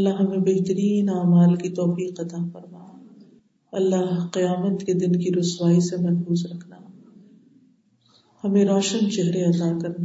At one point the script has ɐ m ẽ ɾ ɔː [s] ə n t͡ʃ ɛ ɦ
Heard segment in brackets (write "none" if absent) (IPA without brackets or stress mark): ʃ